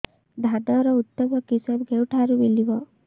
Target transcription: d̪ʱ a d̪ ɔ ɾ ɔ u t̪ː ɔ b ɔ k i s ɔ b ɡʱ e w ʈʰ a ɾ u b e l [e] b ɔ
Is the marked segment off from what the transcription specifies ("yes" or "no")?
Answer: yes